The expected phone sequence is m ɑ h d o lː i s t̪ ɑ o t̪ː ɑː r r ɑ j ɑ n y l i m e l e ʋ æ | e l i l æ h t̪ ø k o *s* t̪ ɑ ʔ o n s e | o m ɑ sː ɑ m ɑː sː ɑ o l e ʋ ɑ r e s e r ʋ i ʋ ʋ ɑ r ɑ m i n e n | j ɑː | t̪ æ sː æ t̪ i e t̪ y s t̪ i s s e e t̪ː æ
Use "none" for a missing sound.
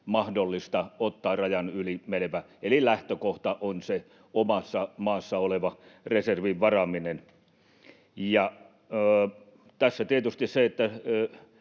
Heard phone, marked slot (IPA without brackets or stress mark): h